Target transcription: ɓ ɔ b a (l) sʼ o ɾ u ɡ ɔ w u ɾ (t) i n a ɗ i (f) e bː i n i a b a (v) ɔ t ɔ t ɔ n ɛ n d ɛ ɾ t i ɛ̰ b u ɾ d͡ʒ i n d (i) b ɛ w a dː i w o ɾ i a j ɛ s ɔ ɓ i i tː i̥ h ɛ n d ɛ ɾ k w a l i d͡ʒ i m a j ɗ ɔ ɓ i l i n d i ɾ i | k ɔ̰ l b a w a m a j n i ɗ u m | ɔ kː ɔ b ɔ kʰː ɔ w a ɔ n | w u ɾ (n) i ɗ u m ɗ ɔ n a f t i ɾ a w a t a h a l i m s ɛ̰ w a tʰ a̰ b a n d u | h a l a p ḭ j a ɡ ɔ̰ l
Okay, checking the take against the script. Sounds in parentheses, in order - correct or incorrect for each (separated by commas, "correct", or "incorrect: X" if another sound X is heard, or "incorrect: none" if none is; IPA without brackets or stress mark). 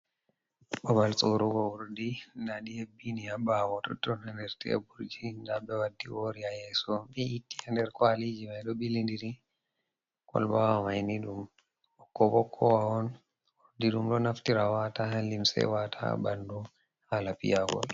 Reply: correct, incorrect: d, incorrect: h, incorrect: w, incorrect: a, incorrect: d